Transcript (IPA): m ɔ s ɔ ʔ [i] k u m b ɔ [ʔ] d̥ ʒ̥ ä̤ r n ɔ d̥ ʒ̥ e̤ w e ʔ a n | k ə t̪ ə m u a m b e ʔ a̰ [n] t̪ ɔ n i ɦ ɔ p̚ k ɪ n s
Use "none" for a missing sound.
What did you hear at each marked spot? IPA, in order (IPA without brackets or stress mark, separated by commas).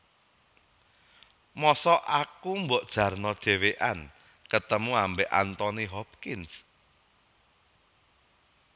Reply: a, ʔ, n